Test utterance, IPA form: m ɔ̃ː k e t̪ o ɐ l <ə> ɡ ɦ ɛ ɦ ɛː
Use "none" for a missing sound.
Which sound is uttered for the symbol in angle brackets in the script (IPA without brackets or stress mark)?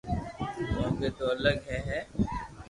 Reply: ə